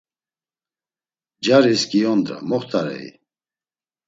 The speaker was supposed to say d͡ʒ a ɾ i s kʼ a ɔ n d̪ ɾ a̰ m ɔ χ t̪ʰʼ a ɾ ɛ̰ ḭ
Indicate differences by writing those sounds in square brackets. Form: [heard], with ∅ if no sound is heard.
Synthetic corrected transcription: d͡ʒ a ɾ i s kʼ [i] ɔ n d̪ ɾ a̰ m ɔ χ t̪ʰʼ a ɾ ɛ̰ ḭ